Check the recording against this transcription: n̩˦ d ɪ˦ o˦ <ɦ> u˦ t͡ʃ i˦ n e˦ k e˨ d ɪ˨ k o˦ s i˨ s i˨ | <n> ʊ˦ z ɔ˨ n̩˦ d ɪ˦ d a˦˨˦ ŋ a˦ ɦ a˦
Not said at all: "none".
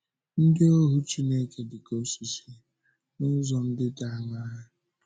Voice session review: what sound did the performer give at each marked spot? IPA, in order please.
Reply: ɦ, n

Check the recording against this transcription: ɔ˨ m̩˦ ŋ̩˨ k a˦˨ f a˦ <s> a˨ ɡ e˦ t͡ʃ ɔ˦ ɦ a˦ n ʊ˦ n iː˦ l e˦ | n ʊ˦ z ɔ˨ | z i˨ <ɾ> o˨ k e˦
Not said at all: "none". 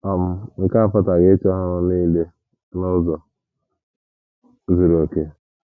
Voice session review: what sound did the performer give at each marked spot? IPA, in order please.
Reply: t, ɾ

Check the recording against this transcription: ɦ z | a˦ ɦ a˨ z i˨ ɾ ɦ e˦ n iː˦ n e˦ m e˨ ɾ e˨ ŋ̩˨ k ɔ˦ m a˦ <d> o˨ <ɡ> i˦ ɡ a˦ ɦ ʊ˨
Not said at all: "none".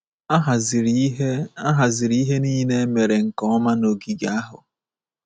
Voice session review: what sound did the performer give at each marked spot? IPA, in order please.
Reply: n, ɡ

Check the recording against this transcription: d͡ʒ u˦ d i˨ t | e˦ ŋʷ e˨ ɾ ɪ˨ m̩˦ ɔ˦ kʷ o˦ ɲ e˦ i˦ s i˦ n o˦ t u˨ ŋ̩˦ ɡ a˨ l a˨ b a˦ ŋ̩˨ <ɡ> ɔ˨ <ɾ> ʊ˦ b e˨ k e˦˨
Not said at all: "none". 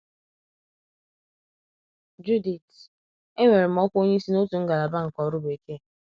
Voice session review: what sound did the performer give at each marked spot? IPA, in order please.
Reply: k, ɾ

